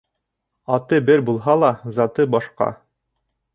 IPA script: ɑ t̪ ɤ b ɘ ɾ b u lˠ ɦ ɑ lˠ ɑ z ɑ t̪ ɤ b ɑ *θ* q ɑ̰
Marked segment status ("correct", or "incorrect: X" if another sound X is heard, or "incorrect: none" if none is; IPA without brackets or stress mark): incorrect: ʃ